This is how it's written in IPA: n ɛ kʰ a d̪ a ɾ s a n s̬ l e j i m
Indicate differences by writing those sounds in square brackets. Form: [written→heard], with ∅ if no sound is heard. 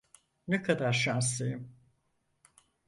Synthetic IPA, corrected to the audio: n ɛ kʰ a d̪ a ɾ [s→ʃ] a n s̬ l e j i m